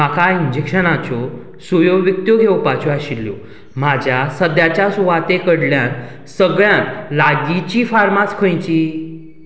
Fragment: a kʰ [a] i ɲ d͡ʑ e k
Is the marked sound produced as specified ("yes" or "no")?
yes